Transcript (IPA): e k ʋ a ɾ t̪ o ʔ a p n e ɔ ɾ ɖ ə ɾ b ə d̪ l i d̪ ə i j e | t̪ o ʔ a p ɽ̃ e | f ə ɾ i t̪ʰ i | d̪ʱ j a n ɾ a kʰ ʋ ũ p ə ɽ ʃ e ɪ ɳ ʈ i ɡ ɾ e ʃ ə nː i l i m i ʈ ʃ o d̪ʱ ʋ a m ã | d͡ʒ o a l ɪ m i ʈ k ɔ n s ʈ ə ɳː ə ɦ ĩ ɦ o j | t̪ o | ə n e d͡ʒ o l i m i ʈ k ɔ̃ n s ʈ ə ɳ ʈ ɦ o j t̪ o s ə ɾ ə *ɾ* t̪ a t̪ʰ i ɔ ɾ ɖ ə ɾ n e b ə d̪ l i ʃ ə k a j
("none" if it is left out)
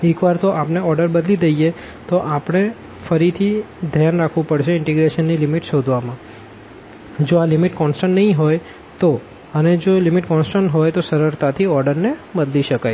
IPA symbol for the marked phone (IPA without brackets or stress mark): ɾ